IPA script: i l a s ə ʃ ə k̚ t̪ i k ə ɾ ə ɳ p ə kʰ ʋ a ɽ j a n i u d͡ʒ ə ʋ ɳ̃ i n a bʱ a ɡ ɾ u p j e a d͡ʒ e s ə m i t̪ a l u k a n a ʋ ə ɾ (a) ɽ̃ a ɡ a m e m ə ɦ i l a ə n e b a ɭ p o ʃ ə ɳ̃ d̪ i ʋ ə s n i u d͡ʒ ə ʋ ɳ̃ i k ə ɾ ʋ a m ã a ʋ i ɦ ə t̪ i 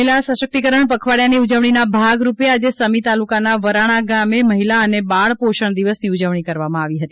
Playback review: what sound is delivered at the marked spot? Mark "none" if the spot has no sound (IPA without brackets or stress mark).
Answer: a